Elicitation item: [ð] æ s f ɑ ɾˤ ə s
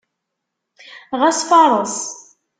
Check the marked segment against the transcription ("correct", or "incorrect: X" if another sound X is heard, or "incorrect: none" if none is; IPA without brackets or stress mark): incorrect: ʁ